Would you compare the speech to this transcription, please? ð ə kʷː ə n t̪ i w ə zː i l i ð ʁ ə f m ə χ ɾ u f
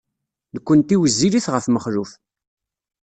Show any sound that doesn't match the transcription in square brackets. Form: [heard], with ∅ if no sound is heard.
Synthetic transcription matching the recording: ð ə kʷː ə n t̪ i w ə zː i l i [θ] ʁ ə f m ə χ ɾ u f